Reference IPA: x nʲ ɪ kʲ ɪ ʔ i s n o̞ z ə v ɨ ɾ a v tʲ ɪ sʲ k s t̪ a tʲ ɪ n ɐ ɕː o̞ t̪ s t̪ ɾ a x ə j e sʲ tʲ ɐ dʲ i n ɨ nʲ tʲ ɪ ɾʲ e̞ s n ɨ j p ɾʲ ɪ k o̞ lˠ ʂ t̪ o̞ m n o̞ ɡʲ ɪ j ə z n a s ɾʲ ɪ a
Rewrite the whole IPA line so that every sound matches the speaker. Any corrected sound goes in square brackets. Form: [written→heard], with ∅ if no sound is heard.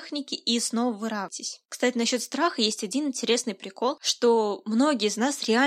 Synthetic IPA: x nʲ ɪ kʲ ɪ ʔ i s n o̞ [z→v] ə v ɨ ɾ a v tʲ ɪ sʲ k s t̪ a tʲ ɪ n ɐ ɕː o̞ t̪ s t̪ ɾ a x ə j e sʲ tʲ ɐ dʲ i n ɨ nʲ tʲ ɪ ɾʲ e̞ s n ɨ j p ɾʲ ɪ k o̞ lˠ ʂ t̪ o̞ m n o̞ ɡʲ ɪ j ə z n a s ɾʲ ɪ a